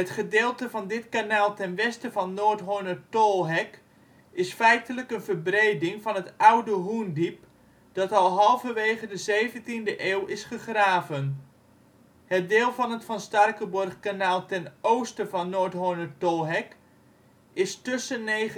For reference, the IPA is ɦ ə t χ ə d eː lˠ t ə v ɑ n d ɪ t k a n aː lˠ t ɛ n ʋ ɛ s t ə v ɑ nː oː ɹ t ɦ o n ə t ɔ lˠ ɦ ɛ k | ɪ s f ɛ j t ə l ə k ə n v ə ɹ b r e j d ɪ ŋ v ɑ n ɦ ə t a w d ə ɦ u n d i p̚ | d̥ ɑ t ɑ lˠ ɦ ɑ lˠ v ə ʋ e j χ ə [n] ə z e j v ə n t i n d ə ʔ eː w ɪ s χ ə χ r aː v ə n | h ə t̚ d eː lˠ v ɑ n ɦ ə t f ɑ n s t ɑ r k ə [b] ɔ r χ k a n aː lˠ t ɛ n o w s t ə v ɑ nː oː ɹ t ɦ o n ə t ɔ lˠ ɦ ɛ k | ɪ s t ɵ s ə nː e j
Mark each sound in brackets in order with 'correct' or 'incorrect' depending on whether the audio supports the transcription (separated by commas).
incorrect, correct